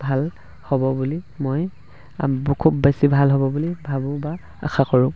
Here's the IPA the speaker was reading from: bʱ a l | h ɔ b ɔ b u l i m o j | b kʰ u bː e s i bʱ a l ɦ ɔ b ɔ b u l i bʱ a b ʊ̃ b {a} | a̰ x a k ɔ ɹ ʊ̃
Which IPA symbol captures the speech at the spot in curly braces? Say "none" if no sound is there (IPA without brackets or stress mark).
a